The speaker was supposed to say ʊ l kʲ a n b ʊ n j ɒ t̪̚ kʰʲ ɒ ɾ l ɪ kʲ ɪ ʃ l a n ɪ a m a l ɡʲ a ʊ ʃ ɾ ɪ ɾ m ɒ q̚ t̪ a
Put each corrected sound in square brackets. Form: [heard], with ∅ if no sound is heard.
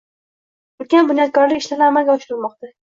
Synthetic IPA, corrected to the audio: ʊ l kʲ a n b ʊ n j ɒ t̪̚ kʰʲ ɒ ɾ l ɪ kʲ ɪ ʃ l a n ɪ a m a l ɡʲ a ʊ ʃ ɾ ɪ ɾ m ɒ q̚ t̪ a